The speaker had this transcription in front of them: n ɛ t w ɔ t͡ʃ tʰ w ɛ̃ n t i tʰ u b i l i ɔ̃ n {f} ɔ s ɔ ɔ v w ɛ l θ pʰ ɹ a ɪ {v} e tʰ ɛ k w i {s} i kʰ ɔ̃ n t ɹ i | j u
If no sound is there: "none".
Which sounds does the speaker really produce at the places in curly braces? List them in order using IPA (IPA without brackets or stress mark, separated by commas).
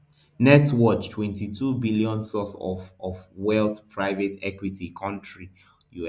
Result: s, v, t